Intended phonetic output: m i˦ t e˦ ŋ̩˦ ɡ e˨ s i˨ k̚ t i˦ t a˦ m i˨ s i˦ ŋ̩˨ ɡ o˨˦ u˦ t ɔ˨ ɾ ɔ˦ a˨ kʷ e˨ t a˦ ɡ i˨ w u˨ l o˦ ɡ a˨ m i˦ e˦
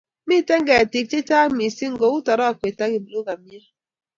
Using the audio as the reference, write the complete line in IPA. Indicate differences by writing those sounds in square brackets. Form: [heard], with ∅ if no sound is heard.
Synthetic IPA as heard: m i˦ t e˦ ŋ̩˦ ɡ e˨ [t] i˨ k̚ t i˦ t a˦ m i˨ s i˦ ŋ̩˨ ɡ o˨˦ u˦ t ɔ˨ ɾ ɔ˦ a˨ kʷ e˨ t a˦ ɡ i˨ [b] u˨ l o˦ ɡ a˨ m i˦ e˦